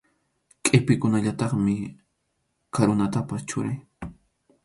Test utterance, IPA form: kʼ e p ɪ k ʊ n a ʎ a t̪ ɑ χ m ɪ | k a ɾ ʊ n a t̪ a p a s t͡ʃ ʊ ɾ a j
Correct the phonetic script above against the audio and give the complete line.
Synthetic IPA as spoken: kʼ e p ɪ k ʊ n a ʎ a t̪ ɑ χ m ɪ | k a ɾ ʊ n a t̪ a p a s t͡ʃ ʊ ɾ a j